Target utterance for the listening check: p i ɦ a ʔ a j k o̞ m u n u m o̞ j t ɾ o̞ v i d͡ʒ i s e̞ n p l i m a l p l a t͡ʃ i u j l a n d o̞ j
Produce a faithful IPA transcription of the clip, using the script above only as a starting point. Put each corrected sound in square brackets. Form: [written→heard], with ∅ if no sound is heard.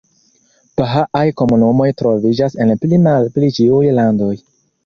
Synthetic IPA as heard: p [i→a] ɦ a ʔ a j k o̞ m u n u m o̞ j t ɾ o̞ v i d͡ʒ [i→a] s e̞ n p l i m a l p l [a→i] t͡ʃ i u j l a n d o̞ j